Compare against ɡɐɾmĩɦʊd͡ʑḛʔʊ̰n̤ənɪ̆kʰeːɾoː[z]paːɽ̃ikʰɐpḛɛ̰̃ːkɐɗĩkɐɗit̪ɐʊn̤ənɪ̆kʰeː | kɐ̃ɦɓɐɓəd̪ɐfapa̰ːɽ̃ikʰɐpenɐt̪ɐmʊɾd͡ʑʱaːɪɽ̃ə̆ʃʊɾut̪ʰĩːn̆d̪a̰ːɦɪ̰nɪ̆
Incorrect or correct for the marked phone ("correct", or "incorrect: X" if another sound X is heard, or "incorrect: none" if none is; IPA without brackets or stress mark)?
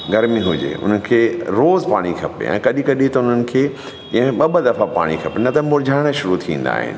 correct